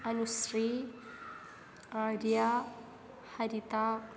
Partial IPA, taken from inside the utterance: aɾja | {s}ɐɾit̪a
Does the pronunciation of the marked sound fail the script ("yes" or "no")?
yes